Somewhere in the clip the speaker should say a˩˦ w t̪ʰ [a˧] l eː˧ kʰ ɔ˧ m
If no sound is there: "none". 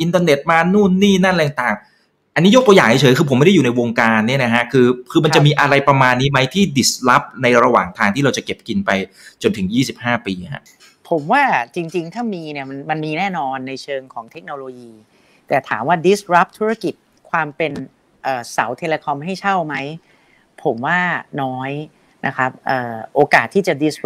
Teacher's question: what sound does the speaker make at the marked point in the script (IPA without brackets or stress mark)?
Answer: e˧